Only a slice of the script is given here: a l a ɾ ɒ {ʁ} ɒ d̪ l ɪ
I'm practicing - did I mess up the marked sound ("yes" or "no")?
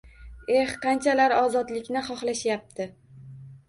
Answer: yes